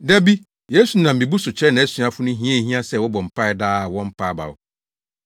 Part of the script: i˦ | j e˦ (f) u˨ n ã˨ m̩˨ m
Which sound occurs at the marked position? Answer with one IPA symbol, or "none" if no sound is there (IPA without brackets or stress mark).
s